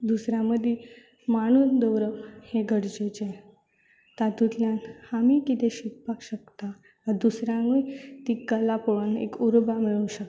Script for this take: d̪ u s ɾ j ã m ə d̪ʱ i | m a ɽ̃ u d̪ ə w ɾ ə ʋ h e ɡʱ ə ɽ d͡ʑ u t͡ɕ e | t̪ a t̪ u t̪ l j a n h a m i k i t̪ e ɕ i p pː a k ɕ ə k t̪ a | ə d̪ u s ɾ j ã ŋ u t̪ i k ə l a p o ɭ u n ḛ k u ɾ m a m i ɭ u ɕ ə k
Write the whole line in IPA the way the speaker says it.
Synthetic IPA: d̪ u s ɾ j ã m ə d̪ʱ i | m a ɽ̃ u d̪ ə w ɾ ə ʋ h e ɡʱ ə ɽ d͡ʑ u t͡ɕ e | t̪ a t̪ u t̪ l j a n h a m i k i t̪ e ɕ i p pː a k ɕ ə k t̪ a | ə d̪ u s ɾ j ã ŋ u t̪ i k ə l a p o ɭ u n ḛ k u ɾ b a m i ɭ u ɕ ə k